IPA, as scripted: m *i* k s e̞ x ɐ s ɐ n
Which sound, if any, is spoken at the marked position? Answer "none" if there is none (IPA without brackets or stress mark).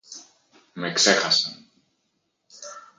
e